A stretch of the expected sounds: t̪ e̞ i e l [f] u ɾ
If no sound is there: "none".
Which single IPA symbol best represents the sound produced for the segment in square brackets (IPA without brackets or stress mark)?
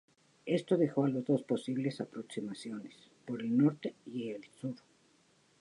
s